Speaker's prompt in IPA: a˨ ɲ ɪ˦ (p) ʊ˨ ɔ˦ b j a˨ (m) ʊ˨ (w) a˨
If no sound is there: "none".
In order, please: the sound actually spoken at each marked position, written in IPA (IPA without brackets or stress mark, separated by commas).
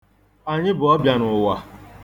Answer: b, n, w